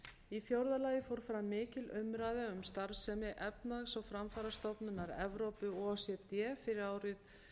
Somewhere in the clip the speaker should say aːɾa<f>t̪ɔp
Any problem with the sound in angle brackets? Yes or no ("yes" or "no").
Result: yes